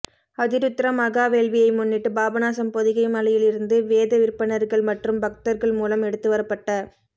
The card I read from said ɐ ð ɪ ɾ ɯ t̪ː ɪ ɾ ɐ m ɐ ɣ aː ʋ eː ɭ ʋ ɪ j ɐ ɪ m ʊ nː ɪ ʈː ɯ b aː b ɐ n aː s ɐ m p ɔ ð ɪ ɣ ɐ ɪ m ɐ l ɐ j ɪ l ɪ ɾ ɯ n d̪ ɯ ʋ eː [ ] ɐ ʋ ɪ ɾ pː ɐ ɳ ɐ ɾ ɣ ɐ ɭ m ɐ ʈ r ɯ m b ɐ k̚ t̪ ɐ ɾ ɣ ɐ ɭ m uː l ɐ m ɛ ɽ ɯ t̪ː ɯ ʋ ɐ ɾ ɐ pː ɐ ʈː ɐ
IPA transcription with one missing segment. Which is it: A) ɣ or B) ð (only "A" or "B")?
B